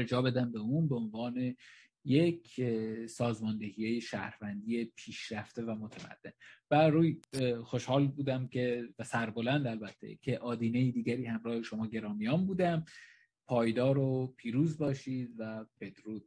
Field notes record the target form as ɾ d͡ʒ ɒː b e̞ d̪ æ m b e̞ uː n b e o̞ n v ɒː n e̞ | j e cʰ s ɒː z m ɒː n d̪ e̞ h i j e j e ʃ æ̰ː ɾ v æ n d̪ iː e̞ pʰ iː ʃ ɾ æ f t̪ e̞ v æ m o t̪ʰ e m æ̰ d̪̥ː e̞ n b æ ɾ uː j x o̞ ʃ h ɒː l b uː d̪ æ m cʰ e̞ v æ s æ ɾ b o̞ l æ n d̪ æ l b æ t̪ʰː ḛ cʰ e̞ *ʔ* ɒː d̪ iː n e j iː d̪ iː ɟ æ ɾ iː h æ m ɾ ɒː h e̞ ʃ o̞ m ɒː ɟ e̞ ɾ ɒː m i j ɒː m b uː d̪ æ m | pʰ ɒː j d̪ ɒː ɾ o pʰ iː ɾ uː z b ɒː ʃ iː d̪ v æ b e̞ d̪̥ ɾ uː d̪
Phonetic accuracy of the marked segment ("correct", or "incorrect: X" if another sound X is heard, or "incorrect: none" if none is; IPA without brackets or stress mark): correct